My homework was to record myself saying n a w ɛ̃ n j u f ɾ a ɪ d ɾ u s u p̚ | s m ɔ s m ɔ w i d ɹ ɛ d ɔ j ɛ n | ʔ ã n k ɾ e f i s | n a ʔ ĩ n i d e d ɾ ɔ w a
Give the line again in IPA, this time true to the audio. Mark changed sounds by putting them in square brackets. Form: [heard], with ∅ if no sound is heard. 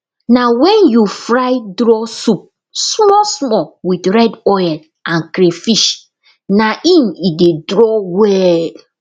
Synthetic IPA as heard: n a w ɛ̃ n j u f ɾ a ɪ d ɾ [ɔ] s u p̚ | s m ɔ s m ɔ w i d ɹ ɛ d ɔ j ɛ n | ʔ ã n k ɾ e f i [ʃ] | n a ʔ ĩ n i d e d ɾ ɔ w [ɛ]